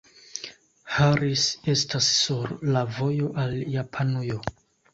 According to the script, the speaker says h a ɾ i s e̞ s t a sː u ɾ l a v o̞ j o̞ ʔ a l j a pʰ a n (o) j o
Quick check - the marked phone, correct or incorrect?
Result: incorrect